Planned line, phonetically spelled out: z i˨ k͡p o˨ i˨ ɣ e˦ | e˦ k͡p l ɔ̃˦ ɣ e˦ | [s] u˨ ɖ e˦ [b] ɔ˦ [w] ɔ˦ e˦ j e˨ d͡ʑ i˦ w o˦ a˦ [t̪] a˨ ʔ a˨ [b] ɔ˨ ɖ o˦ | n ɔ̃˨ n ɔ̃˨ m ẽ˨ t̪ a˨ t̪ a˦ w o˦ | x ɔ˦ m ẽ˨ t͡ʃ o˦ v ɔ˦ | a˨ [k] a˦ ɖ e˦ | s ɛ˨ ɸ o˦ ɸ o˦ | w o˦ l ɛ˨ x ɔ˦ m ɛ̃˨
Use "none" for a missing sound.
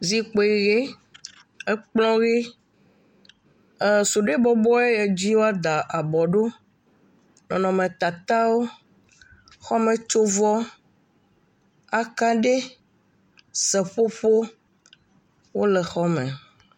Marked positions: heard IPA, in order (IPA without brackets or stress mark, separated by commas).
s, b, b, d̪, b, k